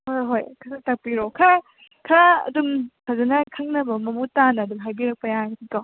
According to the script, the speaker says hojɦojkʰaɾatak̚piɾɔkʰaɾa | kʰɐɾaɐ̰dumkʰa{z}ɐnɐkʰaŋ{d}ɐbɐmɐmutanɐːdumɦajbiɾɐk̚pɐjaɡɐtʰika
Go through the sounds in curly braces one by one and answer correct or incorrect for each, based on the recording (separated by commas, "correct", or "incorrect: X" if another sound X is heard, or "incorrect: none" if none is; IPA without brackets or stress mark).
correct, incorrect: n